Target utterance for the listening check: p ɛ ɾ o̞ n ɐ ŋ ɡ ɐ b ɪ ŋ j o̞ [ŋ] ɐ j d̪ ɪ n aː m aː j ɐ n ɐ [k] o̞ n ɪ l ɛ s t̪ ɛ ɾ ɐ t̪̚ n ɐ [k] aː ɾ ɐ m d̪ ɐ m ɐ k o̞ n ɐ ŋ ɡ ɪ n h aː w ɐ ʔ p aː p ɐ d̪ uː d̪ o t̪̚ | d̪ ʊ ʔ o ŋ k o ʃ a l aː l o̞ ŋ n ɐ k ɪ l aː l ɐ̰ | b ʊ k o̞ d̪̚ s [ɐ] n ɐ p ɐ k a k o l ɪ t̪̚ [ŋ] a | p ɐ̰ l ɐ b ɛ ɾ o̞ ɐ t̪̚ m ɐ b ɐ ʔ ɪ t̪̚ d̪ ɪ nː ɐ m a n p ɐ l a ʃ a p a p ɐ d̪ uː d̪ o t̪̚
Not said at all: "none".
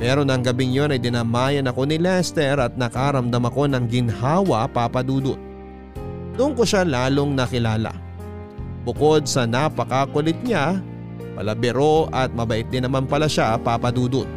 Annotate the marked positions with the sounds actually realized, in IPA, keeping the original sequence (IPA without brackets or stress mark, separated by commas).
n, k, k, ɐ, ɲ